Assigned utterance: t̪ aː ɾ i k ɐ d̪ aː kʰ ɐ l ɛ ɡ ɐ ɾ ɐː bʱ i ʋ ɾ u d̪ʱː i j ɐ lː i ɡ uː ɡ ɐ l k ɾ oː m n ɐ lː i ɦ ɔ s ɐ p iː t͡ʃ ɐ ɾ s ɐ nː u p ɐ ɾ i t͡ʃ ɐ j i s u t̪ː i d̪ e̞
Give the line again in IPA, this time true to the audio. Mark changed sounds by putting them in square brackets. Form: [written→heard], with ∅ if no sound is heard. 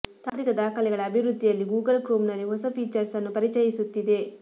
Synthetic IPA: t̪ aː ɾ i k ɐ d̪ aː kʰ ɐ l ɛ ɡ ɐ [ɾ→ɭ] ɐː bʱ i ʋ ɾ u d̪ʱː i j ɐ lː i ɡ uː ɡ ɐ l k ɾ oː m n ɐ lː i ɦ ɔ s ɐ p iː t͡ʃ ɐ ɾ s ɐ nː u p ɐ ɾ i t͡ʃ ɐ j i s u t̪ː i d̪ e̞